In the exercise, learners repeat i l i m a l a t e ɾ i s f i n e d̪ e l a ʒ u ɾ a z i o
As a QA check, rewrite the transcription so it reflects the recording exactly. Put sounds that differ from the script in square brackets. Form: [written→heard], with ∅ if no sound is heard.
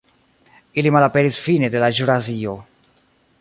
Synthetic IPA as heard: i l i m a l a [t→p] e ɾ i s f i n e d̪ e l a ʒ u ɾ a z i o